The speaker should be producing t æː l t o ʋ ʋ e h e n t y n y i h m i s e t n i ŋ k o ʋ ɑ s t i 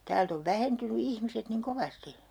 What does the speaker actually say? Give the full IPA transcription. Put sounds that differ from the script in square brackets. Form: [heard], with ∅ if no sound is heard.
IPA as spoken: t æː l t o ʋ ʋ [æ] h e n t y n y i h m i s e t n i ŋ k o ʋ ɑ s t i